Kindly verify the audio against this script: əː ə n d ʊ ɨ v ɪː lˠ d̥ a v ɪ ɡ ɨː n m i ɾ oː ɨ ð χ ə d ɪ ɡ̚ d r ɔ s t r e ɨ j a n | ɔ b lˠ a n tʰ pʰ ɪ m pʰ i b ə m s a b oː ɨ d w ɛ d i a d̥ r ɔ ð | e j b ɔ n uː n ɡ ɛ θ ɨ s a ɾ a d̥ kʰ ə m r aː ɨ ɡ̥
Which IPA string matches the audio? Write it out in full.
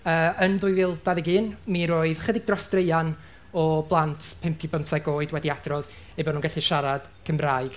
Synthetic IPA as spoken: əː ə n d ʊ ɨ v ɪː lˠ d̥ a ð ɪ ɡ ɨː n m i ɾ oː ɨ ð χ ə d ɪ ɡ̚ d r ɔ s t r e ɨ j a n | ɔ b lˠ a n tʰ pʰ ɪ m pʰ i b ə m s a ɡ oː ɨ d w ɛ d i a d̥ r ɔ ð | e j b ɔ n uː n ɡ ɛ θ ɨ ʃ a ɾ a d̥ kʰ ə m r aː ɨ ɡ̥

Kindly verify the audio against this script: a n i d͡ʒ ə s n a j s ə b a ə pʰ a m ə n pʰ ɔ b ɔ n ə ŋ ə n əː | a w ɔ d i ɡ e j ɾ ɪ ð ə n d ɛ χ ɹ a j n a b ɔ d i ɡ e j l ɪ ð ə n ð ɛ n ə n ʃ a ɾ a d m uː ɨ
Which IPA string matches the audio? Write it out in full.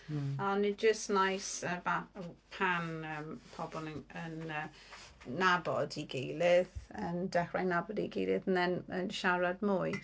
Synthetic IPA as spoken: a n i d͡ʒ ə s n a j s ə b a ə pʰ a n ə m pʰ ɔ b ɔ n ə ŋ ə n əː | a b ɔ d i ɡ e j l ɪ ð ə n d ɛ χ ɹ a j n a b ɔ d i ɡ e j l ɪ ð ə n ð ɛ n ə n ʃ a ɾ a d m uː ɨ

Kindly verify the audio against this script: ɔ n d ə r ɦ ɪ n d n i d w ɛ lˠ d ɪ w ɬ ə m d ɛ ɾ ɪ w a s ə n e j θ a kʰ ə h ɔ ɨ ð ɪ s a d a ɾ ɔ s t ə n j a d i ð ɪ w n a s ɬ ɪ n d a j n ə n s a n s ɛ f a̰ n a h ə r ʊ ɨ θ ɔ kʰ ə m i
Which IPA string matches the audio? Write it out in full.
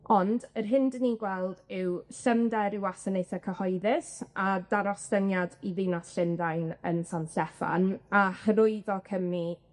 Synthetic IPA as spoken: ɔ n d ə r ɦ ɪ n d n i ɡ w ɛ lˠ d ɪ w ɬ ə m d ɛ ɾ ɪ w a s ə n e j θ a kʰ ə h ɔ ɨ ð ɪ s a d a ɾ ɔ s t ə n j a d i ð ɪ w n a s ɬ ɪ n d a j n ə n s a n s ɛ f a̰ n a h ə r ʊ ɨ ð ɔ kʰ ə m i

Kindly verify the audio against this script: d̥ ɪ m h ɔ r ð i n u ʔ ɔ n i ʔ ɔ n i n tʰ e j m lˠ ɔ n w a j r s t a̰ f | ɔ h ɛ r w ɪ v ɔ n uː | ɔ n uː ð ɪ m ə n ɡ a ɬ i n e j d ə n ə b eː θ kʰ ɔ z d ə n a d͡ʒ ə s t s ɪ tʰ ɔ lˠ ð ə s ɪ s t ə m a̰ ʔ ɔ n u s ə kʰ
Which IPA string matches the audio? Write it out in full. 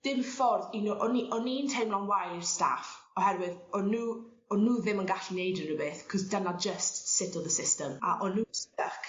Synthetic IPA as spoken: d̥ ɪ m f ɔ r ð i n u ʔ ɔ n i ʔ ɔ n i n tʰ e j m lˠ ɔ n w a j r s t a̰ f | ɔ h ɛ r w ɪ ð ɔ n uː | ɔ n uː ð ɪ m ə n ɡ a ɬ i n e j d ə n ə b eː θ kʰ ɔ z d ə n a d͡ʒ ə s t s ɪ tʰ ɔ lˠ ð ə s ɪ s t ə m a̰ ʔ ɔ n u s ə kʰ

